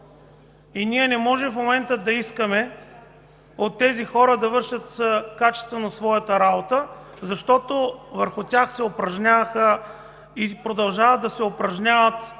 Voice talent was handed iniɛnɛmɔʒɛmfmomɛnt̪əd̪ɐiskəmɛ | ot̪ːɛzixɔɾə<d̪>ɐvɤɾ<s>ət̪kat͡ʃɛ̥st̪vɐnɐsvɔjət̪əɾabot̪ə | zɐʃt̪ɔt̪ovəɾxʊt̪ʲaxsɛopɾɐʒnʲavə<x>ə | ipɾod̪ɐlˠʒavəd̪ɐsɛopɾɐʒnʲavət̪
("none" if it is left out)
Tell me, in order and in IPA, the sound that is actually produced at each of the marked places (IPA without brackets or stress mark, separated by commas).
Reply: d̪, ʃ, x